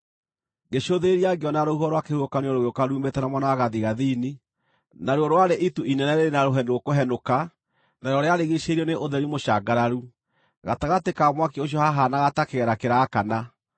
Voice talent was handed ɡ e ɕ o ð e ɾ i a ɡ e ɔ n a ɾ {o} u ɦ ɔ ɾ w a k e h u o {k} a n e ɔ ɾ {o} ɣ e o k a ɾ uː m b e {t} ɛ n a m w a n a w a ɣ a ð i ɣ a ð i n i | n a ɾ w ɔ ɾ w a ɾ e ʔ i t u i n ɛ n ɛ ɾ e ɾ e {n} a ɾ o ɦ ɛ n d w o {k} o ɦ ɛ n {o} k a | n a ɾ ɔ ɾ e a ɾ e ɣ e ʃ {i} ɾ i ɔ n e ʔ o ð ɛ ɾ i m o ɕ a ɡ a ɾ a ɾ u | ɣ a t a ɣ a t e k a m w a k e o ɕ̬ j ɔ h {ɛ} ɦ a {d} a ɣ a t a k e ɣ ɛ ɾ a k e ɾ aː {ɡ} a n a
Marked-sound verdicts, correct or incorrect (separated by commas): correct, correct, correct, correct, correct, correct, correct, incorrect, incorrect, incorrect, incorrect